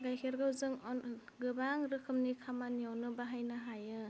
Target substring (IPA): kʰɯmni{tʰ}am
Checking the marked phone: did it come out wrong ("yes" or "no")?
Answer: yes